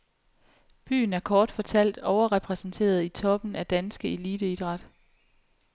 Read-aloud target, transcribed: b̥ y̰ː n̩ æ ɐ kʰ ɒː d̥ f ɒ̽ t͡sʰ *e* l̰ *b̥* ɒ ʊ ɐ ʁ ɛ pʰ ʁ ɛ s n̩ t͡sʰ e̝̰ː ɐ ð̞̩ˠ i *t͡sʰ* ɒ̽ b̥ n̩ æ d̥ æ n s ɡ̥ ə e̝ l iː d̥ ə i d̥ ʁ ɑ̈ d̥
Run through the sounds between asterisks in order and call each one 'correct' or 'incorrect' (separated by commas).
incorrect, incorrect, correct